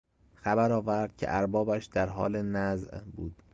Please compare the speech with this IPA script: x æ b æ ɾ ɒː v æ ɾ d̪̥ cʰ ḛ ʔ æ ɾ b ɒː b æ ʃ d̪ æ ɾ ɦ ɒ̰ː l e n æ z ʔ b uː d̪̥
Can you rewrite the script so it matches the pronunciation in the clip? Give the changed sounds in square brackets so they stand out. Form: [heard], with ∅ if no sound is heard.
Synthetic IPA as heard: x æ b æ ɾ ɒː v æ ɾ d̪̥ cʰ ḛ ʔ æ ɾ b ɒː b æ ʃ d̪ æ ɾ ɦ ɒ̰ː l e n æ z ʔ b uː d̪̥